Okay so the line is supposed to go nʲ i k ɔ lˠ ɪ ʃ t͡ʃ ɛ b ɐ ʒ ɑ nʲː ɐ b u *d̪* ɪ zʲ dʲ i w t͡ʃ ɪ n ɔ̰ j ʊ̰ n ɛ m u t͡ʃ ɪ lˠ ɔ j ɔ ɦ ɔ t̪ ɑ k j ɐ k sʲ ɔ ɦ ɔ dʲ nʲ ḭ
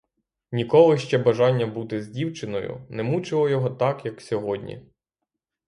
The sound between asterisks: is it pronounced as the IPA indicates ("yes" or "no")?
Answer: no